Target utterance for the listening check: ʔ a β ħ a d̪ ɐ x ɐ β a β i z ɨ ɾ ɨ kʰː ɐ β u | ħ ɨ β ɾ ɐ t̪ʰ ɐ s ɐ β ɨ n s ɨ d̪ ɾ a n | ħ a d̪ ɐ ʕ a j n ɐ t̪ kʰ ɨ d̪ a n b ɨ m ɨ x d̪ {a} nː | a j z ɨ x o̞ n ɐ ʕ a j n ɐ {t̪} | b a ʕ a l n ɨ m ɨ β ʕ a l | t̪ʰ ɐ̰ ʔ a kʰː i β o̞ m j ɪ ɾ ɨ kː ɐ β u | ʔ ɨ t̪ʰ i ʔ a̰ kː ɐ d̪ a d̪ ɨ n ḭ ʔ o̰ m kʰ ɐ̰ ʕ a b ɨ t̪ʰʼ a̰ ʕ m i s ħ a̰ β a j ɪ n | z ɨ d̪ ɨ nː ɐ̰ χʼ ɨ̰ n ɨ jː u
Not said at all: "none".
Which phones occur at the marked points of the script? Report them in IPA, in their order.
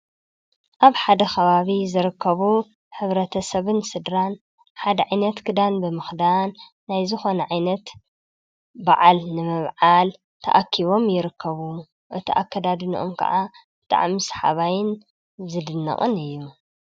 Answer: a, t̪

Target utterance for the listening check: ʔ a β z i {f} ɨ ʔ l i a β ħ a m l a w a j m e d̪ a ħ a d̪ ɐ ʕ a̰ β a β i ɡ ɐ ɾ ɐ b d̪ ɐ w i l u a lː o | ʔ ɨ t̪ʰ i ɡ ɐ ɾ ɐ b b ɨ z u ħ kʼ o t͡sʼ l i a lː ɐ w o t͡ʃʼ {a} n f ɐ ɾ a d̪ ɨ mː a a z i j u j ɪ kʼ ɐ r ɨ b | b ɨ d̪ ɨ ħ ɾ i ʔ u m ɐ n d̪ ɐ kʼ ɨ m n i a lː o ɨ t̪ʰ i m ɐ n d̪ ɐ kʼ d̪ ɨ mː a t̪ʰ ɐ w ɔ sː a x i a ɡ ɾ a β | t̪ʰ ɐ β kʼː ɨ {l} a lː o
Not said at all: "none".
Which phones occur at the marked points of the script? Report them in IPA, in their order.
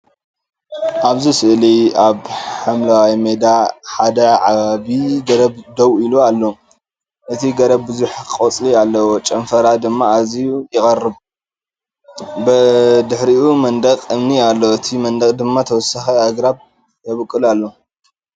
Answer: s, ɐ, l

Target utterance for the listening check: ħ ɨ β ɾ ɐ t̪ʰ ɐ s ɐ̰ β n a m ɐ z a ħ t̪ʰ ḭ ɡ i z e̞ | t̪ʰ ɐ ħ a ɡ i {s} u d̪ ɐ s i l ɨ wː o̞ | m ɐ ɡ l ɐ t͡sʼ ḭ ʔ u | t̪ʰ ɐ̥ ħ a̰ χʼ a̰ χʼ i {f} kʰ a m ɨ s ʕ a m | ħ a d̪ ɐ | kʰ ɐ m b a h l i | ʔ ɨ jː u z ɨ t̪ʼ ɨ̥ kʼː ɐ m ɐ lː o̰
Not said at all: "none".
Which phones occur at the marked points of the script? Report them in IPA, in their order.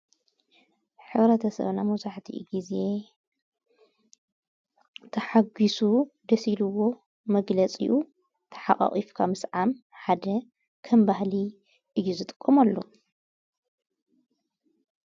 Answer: s, f

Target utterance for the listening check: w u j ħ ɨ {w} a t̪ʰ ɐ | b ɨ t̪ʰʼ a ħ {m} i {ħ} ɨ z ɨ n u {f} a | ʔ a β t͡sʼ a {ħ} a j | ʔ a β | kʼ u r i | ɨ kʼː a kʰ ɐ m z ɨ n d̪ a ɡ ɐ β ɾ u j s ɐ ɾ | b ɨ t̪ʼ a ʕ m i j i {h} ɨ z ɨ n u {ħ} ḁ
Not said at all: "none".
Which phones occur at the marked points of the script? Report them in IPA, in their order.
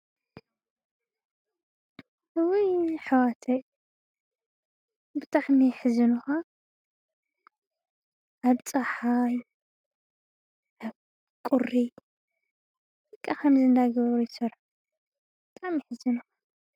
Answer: w, m, ħ, x, ħ, ħ, x

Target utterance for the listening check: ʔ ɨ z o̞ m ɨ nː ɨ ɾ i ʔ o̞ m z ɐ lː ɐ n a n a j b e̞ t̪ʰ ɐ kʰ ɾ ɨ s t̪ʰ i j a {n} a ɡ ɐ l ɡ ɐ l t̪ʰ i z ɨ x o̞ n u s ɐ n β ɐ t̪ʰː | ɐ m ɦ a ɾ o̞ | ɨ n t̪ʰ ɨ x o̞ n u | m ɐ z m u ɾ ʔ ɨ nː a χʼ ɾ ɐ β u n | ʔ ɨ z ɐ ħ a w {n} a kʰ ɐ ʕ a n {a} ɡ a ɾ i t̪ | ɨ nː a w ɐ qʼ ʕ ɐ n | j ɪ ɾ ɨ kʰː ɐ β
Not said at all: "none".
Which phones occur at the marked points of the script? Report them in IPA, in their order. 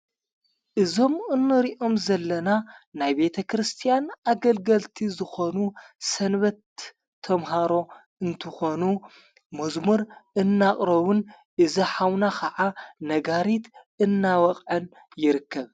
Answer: n, n, ɐ

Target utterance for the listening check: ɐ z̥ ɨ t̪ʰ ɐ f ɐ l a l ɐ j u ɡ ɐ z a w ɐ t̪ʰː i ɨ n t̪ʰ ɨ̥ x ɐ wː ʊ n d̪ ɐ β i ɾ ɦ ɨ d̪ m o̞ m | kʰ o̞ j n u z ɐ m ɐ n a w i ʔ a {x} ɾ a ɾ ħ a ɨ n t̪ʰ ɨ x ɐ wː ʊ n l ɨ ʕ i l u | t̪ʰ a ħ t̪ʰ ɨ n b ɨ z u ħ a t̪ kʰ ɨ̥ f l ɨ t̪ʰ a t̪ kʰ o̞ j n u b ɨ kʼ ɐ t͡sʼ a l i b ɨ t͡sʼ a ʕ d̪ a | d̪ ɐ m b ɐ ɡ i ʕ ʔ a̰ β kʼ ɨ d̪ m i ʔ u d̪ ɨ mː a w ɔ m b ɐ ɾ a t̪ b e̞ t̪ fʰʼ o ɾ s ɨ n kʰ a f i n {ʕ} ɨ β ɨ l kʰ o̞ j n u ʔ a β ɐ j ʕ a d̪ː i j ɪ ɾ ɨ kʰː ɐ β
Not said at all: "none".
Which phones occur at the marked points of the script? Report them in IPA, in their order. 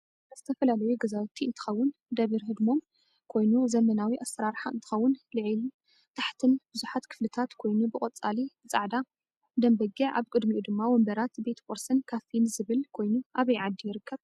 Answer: s, z

